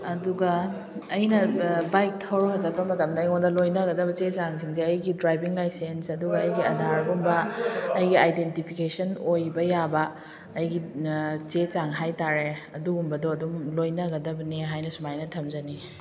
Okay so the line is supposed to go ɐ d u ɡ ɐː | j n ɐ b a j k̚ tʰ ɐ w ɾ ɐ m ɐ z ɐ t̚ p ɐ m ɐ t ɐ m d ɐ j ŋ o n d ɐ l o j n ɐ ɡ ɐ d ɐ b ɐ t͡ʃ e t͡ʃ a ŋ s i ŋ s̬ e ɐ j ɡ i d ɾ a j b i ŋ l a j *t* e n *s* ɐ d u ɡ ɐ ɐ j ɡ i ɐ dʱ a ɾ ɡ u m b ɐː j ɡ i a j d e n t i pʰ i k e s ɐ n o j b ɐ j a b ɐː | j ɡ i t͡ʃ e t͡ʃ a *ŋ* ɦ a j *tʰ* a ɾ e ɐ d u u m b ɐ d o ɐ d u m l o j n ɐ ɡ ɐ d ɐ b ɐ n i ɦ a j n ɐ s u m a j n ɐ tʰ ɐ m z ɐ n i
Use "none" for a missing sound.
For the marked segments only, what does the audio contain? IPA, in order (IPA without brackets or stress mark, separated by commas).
s, s, ŋ, t